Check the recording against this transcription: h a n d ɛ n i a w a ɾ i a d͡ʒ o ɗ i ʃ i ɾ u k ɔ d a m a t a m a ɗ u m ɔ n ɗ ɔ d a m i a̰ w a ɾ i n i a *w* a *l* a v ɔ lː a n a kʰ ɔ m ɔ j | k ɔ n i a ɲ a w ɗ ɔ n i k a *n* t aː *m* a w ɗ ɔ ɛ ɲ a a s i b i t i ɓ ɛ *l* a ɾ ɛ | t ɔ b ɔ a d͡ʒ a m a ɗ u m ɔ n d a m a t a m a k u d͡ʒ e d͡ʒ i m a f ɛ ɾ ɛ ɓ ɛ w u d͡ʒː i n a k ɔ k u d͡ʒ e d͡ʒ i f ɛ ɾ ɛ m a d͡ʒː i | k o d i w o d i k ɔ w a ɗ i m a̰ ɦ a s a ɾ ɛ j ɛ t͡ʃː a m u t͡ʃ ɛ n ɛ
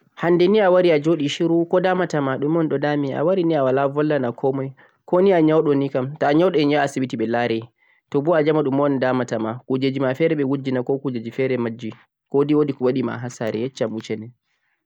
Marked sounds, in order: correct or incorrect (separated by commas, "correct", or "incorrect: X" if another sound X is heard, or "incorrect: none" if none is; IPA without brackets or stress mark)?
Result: correct, correct, incorrect: m, incorrect: ɲ, correct